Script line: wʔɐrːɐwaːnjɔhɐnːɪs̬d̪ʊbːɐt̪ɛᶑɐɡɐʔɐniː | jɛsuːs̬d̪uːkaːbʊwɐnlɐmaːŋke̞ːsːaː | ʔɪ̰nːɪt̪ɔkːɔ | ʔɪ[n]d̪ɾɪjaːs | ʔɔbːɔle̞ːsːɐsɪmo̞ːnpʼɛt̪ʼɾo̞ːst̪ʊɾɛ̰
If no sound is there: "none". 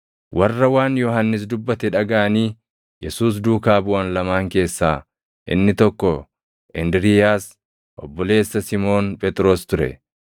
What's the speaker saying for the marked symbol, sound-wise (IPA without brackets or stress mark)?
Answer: n